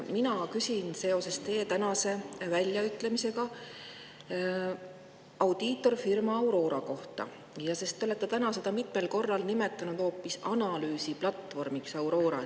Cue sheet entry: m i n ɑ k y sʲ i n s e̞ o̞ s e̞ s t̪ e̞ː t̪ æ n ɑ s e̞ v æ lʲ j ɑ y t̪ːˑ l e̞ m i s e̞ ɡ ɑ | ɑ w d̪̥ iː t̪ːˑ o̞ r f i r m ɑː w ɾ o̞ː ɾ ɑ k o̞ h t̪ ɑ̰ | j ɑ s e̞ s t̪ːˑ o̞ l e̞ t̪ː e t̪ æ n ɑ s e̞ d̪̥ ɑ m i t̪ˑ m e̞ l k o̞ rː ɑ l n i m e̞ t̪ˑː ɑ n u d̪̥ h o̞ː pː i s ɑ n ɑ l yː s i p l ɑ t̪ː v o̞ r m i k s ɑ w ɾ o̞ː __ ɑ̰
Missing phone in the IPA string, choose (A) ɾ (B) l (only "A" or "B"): A